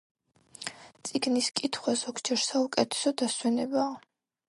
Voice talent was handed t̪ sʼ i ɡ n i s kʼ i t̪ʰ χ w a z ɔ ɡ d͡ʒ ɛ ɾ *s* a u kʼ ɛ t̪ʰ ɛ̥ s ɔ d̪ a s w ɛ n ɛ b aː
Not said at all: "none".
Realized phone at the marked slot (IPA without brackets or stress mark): s